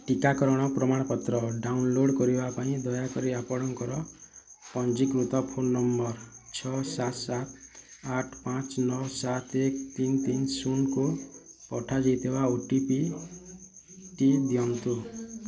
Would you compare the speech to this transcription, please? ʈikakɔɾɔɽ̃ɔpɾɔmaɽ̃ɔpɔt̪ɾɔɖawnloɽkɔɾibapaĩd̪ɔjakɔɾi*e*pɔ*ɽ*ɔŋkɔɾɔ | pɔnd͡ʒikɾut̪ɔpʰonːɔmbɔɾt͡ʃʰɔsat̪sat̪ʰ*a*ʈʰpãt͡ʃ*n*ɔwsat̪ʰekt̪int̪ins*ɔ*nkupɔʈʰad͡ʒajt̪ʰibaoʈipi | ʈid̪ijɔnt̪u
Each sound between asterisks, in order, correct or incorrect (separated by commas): incorrect, correct, correct, correct, incorrect